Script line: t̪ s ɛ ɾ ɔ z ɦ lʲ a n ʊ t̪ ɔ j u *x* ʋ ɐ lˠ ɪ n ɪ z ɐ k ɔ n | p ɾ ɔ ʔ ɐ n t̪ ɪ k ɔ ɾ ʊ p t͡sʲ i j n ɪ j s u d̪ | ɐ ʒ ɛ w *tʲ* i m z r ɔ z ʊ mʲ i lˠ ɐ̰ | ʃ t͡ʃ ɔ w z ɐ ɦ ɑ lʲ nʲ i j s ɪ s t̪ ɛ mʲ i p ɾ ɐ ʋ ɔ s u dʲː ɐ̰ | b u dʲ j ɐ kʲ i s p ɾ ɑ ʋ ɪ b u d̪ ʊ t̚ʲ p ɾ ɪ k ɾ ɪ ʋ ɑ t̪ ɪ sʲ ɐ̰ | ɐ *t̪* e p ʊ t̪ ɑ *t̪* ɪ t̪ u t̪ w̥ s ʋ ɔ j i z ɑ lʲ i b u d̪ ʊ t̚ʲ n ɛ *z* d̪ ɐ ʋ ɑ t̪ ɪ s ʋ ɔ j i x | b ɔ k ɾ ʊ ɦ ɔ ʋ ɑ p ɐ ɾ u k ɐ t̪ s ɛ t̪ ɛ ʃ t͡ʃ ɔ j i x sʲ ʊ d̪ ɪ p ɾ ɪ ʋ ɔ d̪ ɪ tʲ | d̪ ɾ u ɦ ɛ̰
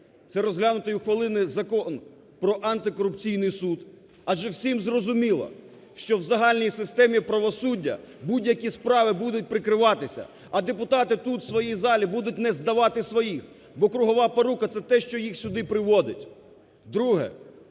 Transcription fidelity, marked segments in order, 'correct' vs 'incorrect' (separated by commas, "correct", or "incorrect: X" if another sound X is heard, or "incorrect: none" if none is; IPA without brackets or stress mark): correct, incorrect: sʲ, incorrect: d̪, correct, correct